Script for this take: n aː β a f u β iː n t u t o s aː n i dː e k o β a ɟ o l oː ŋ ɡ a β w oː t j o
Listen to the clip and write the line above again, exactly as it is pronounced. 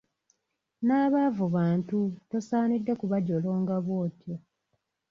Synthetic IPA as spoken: n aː β a v u β aː n t u t o s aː n i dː e k u β a ɟ o l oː ŋ ɡ a β w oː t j o